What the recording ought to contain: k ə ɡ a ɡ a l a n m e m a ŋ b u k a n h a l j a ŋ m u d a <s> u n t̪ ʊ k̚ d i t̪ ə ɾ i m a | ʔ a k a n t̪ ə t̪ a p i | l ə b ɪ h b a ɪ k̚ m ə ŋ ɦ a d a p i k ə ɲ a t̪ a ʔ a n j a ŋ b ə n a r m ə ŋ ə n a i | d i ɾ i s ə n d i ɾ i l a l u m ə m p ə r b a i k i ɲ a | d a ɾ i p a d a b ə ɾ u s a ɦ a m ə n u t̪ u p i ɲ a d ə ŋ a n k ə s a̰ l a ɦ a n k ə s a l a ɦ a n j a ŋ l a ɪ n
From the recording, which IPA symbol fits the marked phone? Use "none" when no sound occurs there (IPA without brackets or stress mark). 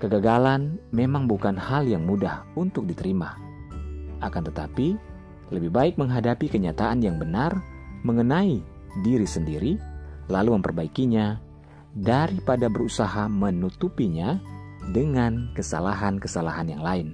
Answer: h